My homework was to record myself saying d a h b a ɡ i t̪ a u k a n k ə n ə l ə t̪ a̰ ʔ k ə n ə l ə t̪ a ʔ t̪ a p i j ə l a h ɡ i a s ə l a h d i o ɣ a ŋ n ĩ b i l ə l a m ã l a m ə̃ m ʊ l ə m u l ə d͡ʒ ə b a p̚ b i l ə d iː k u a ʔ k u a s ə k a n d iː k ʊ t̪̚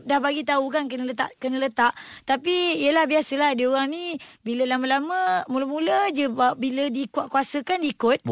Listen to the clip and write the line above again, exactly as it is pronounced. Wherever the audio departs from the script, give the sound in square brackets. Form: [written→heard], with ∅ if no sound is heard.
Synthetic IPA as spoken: d a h b a ɡ i t̪ a u k a n k ə n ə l ə t̪ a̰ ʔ k ə n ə l ə t̪ a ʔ t̪ a p i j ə l a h [ɡ→b] i a s ə l a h d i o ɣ a ŋ n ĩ b i l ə l a m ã l a m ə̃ m [ʊ→u] l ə m u l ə d͡ʒ ə b a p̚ b i l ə d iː k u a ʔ k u a s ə k a n d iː k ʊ t̪̚